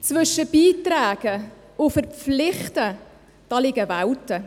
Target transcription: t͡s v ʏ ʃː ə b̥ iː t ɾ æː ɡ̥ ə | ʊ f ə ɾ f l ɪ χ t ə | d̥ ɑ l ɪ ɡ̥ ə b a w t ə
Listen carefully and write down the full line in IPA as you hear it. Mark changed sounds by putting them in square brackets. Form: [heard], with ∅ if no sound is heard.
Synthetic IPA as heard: t͡s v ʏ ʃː ə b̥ iː t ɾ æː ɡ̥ ə | ʊ f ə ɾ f l ɪ χ t ə | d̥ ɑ l ɪ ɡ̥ ə [v] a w t ə